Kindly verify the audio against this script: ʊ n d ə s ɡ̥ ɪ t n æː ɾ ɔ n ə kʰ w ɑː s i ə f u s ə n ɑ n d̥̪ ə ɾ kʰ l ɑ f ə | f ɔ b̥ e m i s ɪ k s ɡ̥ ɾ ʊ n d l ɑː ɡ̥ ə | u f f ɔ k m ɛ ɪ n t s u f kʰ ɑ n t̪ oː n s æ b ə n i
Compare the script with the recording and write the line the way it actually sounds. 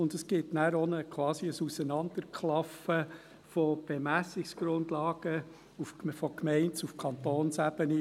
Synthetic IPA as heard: ʊ n d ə s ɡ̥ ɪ t n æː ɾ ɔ n ə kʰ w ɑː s i ə s u s ə n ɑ n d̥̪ ə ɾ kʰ l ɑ f ə | f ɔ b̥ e m æ s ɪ k s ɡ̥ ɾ ʊ n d l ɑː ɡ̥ ə | u f f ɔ k m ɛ ɪ n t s u f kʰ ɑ n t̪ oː n s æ b ə n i